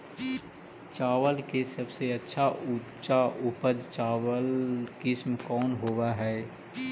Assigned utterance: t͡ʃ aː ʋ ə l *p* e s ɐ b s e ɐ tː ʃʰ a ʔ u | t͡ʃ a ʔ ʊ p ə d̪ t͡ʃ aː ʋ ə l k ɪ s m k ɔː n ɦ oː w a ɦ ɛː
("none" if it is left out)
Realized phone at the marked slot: k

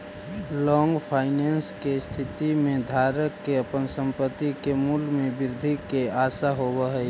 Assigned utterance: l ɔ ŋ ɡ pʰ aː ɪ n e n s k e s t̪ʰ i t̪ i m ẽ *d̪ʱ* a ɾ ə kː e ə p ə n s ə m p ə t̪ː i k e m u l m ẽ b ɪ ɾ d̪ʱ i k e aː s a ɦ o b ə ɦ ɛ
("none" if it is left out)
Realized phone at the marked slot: d̪ʱ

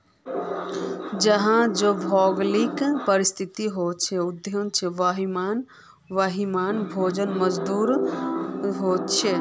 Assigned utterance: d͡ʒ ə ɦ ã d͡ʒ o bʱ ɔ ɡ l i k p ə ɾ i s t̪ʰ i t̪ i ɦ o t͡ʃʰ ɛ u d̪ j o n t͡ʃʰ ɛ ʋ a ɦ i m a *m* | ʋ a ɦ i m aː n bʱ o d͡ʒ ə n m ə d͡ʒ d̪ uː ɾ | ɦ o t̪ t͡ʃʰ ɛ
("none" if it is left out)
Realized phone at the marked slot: n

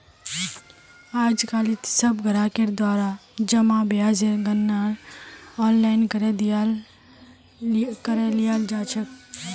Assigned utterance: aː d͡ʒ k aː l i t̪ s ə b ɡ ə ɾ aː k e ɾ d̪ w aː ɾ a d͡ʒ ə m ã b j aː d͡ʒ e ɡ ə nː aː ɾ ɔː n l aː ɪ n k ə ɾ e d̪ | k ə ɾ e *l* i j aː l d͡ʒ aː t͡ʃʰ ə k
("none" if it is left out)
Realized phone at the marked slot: l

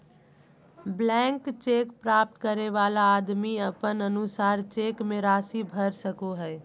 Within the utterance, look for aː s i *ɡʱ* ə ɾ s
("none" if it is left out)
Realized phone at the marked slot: bʱ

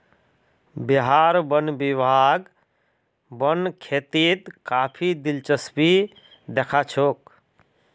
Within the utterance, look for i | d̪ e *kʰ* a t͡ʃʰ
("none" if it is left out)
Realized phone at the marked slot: kʰ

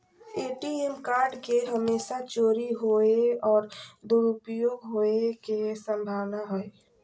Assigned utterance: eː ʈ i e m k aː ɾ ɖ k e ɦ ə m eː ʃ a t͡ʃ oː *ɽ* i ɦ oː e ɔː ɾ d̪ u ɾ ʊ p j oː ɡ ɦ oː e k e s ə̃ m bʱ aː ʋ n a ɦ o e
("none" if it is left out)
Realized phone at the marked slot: ɾ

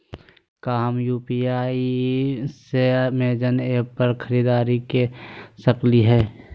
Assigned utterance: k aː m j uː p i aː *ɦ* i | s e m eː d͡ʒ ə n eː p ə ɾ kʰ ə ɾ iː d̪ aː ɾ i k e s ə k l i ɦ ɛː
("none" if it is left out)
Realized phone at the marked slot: none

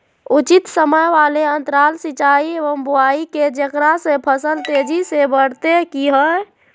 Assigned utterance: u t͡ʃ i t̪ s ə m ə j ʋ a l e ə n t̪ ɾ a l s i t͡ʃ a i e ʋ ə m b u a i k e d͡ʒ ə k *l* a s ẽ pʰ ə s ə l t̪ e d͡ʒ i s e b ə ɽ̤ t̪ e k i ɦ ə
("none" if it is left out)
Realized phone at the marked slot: ɾ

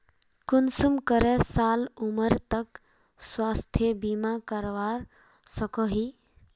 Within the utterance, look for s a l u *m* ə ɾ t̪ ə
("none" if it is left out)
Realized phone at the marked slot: m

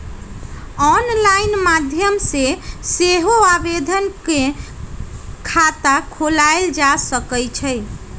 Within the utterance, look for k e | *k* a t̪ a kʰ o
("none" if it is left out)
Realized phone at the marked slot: kʰ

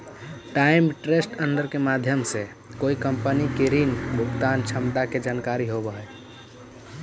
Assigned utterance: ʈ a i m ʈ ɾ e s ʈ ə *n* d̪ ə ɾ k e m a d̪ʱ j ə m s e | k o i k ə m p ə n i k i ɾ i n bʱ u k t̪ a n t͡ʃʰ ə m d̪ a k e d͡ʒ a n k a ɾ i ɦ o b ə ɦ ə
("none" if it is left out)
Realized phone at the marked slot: n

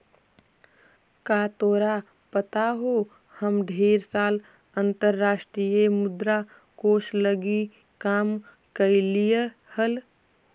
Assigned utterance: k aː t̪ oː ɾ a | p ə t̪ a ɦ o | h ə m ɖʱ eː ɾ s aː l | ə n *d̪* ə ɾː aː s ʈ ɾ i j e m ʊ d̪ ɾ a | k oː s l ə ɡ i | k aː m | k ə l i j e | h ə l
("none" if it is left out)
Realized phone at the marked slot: t̪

